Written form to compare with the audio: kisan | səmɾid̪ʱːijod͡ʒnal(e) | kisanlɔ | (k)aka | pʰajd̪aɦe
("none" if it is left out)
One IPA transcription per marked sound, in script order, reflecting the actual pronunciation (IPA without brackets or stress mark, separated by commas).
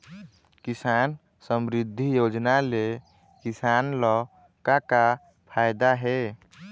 e, k